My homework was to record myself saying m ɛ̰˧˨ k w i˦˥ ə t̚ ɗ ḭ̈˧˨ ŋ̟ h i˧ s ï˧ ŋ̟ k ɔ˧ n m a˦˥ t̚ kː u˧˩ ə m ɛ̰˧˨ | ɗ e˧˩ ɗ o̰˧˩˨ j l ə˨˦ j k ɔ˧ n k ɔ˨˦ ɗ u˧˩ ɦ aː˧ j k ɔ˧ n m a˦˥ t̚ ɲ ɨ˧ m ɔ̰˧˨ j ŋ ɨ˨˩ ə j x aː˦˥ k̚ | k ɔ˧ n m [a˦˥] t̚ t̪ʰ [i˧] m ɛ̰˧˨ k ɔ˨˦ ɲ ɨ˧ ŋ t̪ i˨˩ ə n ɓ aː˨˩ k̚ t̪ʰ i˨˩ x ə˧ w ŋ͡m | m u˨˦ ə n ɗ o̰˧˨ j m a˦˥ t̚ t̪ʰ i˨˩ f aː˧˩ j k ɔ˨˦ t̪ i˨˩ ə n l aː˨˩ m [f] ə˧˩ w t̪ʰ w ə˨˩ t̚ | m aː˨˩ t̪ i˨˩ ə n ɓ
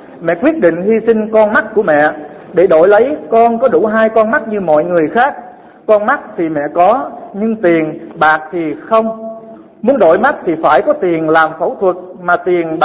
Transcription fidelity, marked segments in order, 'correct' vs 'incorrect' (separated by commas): correct, incorrect, correct